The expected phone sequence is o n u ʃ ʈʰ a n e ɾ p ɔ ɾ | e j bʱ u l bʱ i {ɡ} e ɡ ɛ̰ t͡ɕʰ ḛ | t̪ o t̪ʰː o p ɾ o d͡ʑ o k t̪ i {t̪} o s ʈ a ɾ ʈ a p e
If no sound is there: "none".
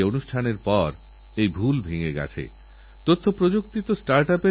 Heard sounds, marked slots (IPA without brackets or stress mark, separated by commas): ŋ, t̪